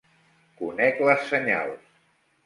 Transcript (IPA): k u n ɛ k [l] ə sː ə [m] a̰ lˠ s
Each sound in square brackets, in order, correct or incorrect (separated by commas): correct, incorrect